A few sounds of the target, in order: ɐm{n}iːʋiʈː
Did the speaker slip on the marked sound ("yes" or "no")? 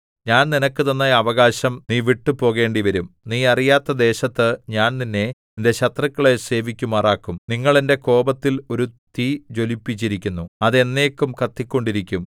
no